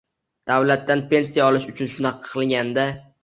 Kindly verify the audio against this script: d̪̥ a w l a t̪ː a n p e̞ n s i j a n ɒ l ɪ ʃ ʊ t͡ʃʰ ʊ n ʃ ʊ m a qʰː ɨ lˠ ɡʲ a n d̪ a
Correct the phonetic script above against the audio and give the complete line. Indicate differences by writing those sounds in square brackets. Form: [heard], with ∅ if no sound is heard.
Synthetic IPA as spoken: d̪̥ a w l a t̪ː a n p e̞ n s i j a [∅] ɒ l ɪ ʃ ʊ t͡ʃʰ ʊ n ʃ ʊ [n] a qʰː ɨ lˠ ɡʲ a n d̪ a